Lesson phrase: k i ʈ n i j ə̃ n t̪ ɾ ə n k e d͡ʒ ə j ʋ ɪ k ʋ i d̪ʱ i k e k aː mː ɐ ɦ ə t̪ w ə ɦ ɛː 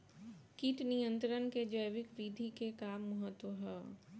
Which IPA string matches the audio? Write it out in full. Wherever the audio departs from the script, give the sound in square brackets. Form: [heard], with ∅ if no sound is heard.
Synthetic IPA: k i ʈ n i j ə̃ n t̪ ɾ ə n k e d͡ʒ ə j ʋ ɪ k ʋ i d̪ʱ i k e k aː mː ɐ ɦ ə t̪ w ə ɦ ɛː